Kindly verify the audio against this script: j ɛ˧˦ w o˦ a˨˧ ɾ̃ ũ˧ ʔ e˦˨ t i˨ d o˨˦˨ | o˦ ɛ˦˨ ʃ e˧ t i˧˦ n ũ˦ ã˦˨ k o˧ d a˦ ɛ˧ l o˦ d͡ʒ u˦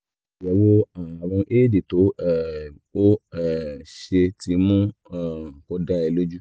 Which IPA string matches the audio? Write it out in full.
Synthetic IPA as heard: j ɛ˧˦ w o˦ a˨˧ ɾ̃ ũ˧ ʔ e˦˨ d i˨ t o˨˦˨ | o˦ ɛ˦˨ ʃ e˧ t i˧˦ m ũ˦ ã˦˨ k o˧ d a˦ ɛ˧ l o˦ d͡ʒ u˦